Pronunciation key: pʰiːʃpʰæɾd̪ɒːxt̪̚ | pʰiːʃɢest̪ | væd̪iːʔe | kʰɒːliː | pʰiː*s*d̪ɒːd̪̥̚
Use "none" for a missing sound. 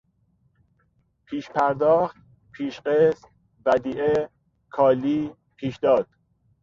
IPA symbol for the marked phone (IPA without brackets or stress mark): ʃ